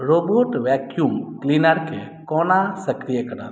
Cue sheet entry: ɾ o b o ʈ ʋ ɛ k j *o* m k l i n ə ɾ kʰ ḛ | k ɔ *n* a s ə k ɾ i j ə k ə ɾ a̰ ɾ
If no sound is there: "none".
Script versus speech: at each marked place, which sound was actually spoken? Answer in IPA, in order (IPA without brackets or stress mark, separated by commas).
u, n